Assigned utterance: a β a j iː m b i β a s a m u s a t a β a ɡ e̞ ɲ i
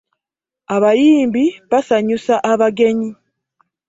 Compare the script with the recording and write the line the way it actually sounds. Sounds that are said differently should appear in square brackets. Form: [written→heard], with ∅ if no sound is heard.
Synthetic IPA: a β a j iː m b i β a s a [m→ɲ] u s a [t→ʔ] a β a ɡ e̞ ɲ i